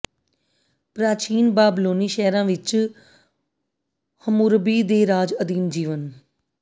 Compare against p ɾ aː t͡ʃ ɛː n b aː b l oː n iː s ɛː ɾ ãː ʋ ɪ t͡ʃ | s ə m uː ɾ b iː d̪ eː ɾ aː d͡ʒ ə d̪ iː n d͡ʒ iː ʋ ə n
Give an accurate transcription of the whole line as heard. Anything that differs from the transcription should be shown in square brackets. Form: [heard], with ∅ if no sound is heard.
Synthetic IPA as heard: p ɾ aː t͡ʃ [iː] n b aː b l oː n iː [ʃ] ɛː ɾ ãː ʋ ɪ t͡ʃ | [h] ə m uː ɾ b iː d̪ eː ɾ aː d͡ʒ ə d̪ iː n d͡ʒ iː ʋ ə n

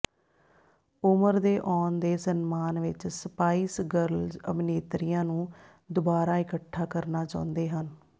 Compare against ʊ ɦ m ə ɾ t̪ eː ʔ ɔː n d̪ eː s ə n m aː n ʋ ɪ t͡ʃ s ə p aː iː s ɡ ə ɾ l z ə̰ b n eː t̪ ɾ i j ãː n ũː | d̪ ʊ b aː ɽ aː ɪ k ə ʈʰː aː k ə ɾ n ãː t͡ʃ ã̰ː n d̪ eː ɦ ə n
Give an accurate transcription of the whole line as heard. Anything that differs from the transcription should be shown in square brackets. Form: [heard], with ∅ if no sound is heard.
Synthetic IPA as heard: ʊ [∅] m ə ɾ [d̪] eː ʔ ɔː n d̪ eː s ə n m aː n ʋ ɪ t͡ʃ s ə p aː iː s ɡ ə ɾ l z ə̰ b n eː t̪ ɾ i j ãː n ũː | d̪ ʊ b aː [ɾ] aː ɪ k ə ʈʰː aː k ə ɾ n [aː] t͡ʃ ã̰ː n d̪ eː ɦ ə n

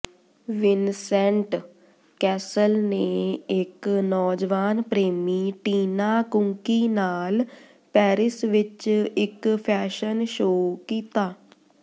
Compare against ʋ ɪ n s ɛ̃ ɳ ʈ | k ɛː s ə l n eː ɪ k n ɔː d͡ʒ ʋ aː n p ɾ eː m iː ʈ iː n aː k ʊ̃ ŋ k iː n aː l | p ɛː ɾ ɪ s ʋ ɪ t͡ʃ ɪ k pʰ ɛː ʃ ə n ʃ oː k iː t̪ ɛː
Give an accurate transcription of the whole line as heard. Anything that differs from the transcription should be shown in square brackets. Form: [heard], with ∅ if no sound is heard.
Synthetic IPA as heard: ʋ ɪ n s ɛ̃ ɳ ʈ | k ɛː s ə l n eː ɪ k n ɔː d͡ʒ ʋ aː n p ɾ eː m iː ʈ iː n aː k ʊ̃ ŋ k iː n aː l | p ɛː ɾ ɪ s ʋ ɪ t͡ʃ ɪ k pʰ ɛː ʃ ə n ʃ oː k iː t̪ [aː]

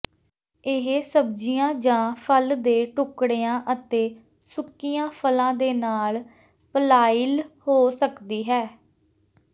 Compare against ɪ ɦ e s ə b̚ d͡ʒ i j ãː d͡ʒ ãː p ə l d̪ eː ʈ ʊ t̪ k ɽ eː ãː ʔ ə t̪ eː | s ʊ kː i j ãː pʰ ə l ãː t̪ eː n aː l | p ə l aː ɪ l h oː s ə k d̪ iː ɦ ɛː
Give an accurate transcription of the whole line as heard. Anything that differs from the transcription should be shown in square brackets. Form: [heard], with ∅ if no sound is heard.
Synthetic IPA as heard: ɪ ɦ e s ə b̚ d͡ʒ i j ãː d͡ʒ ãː [pʰ] ə l d̪ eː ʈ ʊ [∅] k ɽ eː ãː ʔ ə t̪ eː | s ʊ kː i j ãː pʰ ə l ãː [d̪] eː n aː l | p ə l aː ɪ l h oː s ə k d̪ iː ɦ ɛː

